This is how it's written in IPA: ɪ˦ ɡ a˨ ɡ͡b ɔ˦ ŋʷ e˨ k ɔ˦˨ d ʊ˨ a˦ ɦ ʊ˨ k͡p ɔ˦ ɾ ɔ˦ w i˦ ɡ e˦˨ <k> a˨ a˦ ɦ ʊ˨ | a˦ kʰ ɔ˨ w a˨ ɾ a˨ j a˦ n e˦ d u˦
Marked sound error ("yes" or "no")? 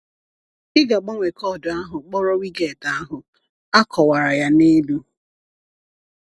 yes